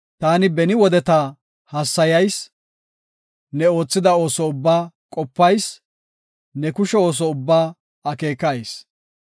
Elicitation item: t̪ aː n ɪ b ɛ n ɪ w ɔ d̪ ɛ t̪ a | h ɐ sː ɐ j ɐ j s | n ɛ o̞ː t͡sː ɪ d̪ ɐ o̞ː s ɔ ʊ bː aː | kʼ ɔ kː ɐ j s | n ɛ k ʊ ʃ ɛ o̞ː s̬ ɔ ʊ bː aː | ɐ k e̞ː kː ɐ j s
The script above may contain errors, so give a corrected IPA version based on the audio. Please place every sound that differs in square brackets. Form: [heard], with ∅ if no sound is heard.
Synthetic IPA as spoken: t̪ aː n ɪ b ɛ n ɪ w ɔ d̪ ɛ t̪ a | h ɐ sː ɐ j ɐ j s | n ɛ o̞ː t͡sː ɪ d̪ ɐ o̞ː s ɔ ʊ bː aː | kʼ ɔ [pː] ɐ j s | n ɛ k ʊ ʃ ɛ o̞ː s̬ ɔ ʊ bː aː | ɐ k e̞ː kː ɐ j s

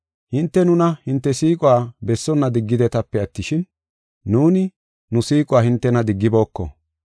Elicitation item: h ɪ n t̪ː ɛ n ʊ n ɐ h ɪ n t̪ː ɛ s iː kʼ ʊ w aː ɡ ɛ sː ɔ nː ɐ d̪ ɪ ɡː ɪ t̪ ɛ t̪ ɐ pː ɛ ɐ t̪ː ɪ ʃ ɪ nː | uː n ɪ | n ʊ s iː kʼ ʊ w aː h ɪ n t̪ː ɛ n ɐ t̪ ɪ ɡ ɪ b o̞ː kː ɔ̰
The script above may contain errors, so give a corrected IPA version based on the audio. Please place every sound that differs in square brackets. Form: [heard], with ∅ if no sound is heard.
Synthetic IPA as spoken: h ɪ n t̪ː ɛ n ʊ n ɐ h ɪ n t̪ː ɛ s iː kʼ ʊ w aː [b] ɛ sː ɔ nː ɐ d̪ ɪ ɡː ɪ [d̪] ɛ t̪ ɐ pː ɛ ɐ t̪ː ɪ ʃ ɪ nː | uː n ɪ | n ʊ s iː kʼ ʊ w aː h ɪ n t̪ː ɛ n ɐ [d̪] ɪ [ɡː] ɪ b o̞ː kː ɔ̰

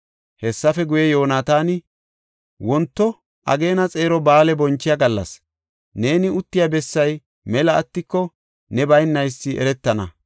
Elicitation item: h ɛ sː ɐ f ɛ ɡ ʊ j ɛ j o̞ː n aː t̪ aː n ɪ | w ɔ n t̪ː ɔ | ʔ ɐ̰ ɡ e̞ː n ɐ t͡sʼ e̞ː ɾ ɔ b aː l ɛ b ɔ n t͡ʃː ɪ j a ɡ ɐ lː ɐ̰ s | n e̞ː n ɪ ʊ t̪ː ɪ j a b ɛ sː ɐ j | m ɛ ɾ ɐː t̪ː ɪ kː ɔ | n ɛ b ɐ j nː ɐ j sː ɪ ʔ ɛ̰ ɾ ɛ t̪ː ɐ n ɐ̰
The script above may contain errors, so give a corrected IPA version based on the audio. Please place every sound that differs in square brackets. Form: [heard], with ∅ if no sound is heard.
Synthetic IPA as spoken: h ɛ sː ɐ f ɛ ɡ ʊ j ɛ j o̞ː n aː t̪ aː n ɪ | w ɔ n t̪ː ɔ | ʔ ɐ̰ ɡ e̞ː n ɐ t͡sʼ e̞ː ɾ ɔ b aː l ɛ b ɔ n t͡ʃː ɪ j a ɡ ɐ lː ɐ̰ s | n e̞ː n ɪ ʊ t̪ː ɪ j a b ɛ sː ɐ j | m ɛ [l] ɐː t̪ː ɪ kː ɔ | n ɛ b ɐ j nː ɐ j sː ɪ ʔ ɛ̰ ɾ ɛ t̪ː ɐ n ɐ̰

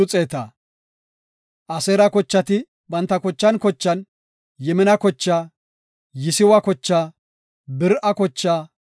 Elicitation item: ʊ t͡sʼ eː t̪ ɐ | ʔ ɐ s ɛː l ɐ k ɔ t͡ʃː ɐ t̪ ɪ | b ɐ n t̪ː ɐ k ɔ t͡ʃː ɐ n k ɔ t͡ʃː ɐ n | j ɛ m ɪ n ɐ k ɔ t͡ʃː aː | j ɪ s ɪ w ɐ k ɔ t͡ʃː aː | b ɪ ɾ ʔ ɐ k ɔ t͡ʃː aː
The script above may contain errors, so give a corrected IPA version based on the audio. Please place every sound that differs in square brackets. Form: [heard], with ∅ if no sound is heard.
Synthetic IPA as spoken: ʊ t͡sʼ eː t̪ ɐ | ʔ ɐ s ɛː [ɾ] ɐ k ɔ t͡ʃː ɐ t̪ ɪ | b ɐ n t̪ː ɐ k ɔ t͡ʃː ɐ n k ɔ t͡ʃː ɐ n | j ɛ m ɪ n ɐ k ɔ t͡ʃː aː | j ɪ s ɪ w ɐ k ɔ t͡ʃː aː | b ɪ ɾ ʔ ɐ k ɔ t͡ʃː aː

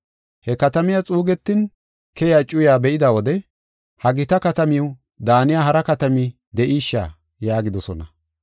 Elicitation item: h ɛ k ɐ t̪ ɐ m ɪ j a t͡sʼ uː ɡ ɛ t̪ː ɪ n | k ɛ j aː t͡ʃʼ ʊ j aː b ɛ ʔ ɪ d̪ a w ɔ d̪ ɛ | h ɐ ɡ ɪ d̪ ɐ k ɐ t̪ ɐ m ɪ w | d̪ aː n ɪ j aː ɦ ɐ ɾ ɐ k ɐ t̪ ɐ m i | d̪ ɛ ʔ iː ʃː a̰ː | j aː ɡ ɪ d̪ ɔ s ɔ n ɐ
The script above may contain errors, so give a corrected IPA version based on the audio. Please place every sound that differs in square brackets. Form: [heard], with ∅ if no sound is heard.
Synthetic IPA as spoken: h ɛ k ɐ t̪ ɐ m ɪ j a t͡sʼ uː ɡ ɛ t̪ː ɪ n | k ɛ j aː t͡ʃʼ ʊ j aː b ɛ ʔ ɪ d̪ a w ɔ d̪ ɛ | h ɐ ɡ ɪ [t̪] ɐ k ɐ t̪ ɐ m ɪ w | d̪ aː n ɪ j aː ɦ ɐ ɾ ɐ k ɐ t̪ ɐ m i | d̪ ɛ ʔ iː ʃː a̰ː | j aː ɡ ɪ d̪ ɔ s ɔ n ɐ

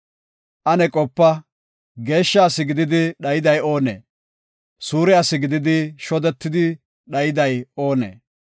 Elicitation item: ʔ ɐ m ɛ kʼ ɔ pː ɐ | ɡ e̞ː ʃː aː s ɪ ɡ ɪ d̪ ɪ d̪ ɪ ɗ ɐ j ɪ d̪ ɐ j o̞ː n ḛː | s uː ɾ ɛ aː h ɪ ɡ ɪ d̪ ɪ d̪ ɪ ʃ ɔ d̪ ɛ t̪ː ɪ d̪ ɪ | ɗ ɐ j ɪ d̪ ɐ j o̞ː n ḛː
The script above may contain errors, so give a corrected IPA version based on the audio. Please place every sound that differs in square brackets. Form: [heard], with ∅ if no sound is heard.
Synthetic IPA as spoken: ʔ ɐ [n] ɛ kʼ ɔ pː ɐ | ɡ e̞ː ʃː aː s ɪ ɡ ɪ d̪ ɪ d̪ ɪ ɗ ɐ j ɪ d̪ ɐ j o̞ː n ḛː | s uː ɾ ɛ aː [s] ɪ ɡ ɪ d̪ ɪ d̪ ɪ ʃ ɔ d̪ ɛ t̪ː ɪ d̪ ɪ | ɗ ɐ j ɪ d̪ ɐ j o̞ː n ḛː

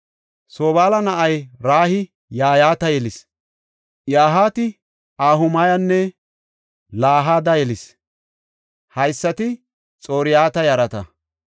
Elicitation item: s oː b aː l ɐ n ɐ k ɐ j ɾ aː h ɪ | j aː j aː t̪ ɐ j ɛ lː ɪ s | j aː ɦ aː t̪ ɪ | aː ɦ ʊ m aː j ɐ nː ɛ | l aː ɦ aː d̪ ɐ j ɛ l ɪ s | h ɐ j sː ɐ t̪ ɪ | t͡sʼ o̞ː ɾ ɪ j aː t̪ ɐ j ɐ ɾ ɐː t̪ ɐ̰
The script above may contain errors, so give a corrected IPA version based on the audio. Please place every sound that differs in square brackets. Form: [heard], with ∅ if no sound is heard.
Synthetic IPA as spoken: s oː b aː l ɐ n ɐ [ʔ] ɐ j ɾ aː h ɪ | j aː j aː t̪ ɐ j ɛ [l] ɪ s | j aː ɦ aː t̪ ɪ | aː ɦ ʊ m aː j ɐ nː ɛ | l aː ɦ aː d̪ ɐ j ɛ l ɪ s | h ɐ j sː ɐ t̪ ɪ | t͡sʼ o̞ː ɾ ɪ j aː t̪ ɐ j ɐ ɾ [ɐ] t̪ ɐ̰

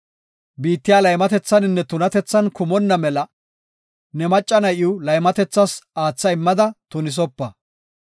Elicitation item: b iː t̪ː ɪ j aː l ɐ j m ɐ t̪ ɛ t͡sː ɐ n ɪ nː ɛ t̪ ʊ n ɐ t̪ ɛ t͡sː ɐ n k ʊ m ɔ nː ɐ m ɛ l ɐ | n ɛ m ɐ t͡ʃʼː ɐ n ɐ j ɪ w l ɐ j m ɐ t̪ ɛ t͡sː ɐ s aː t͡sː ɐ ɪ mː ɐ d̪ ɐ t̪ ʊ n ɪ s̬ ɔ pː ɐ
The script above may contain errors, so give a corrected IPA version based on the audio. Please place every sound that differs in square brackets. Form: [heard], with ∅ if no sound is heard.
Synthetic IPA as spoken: b iː t̪ː ɪ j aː l ɐ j m ɐ t̪ ɛ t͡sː ɐ n ɪ nː ɛ t̪ ʊ n ɐ t̪ ɛ t͡sː ɐ n k ʊ m ɔ nː ɐ m ɛ l ɐ | n ɛ m ɐ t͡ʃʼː ɐ n ɐ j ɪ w l ɐ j m ɐ t̪ ɛ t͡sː ɐ s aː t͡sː ɐ ɪ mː ɐ d̪ ɐ t̪ ʊ n ɪ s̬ ɔ pː ɐ

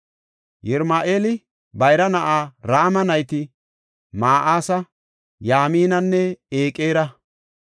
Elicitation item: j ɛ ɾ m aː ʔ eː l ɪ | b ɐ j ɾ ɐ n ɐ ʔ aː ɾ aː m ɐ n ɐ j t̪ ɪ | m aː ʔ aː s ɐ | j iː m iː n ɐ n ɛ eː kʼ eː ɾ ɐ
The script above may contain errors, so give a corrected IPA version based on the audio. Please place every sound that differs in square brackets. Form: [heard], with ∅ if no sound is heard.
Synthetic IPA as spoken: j ɛ ɾ m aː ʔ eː l ɪ | b ɐ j ɾ ɐ n ɐ ʔ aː ɾ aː m ɐ n ɐ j t̪ ɪ | m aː ʔ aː s ɐ | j [aː] m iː n ɐ [nː] ɛ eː kʼ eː ɾ ɐ

